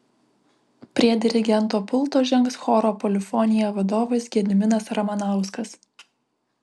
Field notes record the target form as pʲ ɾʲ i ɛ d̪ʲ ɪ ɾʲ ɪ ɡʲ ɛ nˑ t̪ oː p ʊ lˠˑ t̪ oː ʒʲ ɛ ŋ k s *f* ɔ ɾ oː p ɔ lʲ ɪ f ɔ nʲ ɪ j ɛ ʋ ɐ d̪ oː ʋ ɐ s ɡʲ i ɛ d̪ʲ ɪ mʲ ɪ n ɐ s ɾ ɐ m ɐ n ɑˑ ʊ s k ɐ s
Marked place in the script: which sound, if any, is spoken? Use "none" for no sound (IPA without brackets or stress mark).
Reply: x